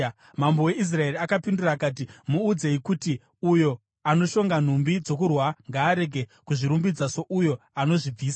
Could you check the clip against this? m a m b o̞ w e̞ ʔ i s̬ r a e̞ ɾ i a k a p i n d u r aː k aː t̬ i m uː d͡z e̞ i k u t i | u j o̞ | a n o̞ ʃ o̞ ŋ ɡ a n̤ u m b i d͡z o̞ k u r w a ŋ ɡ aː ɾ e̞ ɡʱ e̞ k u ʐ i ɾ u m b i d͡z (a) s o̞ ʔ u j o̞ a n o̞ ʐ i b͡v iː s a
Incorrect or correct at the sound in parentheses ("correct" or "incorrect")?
correct